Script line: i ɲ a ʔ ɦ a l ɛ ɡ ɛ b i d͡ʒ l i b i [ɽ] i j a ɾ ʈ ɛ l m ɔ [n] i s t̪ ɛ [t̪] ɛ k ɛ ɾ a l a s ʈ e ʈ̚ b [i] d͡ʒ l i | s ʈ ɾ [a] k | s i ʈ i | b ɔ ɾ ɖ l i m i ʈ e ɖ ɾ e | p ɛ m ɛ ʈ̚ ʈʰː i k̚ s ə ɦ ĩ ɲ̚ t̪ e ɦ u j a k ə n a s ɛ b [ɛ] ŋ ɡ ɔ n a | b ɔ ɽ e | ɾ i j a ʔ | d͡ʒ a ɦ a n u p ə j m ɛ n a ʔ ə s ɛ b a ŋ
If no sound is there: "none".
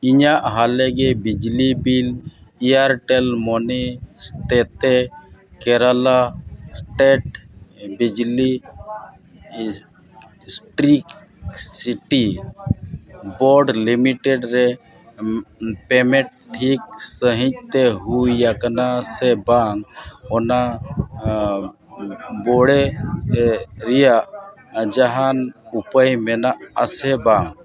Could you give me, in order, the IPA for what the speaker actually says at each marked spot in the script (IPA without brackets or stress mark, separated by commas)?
l, n, t̪, i, i, a